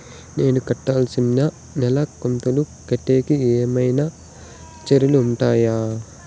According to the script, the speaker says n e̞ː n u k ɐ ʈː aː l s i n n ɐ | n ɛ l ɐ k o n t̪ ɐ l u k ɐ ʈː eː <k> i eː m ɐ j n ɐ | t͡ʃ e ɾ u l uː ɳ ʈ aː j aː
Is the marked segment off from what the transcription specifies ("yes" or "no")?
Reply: no